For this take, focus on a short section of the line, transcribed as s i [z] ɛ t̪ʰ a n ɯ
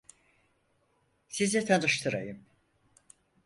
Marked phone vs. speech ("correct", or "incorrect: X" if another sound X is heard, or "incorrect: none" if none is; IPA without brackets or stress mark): correct